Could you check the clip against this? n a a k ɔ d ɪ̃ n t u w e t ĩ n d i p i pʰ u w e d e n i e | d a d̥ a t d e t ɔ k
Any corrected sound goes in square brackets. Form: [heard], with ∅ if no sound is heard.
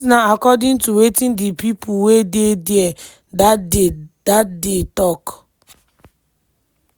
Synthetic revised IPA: n a a k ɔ d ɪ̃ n t u w e t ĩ n d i p i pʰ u w e d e [d] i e | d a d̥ a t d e t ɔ k